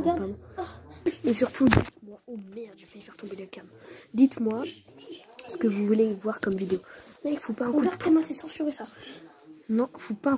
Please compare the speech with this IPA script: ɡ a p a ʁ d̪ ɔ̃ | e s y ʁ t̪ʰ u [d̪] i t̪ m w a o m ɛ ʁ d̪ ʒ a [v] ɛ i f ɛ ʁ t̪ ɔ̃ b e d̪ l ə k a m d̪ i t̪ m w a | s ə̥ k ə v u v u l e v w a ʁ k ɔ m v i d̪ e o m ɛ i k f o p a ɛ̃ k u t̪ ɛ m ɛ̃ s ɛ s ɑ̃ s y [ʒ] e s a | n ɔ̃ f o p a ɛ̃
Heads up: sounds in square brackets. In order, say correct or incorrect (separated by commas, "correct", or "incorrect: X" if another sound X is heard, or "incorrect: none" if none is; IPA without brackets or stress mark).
correct, incorrect: f, incorrect: ʁ